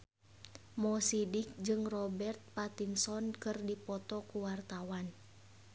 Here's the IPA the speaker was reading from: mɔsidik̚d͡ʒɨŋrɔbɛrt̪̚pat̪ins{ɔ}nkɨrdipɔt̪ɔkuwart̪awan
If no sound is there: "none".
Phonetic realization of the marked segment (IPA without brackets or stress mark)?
ɔ